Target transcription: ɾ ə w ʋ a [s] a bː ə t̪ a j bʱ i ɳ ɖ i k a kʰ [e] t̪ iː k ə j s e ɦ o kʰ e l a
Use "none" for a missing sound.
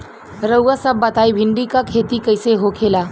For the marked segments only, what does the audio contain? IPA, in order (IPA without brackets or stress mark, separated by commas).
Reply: s, e